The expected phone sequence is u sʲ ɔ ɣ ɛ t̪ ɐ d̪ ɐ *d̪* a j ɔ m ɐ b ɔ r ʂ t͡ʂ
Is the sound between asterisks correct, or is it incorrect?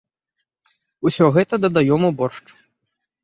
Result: correct